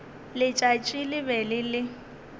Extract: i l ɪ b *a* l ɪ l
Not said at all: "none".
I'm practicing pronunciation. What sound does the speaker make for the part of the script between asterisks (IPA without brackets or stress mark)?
ɛ